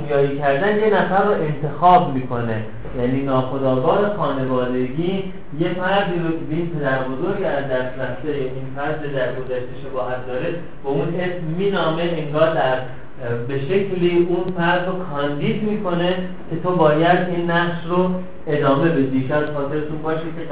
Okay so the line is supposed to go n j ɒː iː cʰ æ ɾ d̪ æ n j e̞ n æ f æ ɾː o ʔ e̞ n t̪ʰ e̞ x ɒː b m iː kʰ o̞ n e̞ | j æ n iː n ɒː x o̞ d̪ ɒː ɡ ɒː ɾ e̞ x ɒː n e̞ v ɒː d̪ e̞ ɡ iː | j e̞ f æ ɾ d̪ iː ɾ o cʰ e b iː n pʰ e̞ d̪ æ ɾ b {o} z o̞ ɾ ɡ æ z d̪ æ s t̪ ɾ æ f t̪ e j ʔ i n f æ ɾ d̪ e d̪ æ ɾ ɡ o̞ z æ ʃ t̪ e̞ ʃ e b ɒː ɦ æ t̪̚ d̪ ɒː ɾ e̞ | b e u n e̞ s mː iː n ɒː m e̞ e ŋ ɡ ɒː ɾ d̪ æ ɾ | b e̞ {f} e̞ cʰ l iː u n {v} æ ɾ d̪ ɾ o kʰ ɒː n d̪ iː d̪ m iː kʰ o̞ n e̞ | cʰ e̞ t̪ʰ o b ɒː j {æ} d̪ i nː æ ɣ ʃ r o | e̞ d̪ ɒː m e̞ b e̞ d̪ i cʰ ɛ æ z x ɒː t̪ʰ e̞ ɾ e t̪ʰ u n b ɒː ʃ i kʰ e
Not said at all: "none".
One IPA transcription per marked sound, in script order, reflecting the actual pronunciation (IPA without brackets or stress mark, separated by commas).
o, ʃ, f, æ